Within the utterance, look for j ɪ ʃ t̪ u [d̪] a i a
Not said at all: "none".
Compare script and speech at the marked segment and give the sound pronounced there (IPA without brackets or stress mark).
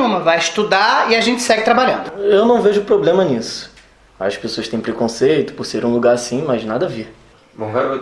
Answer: d̪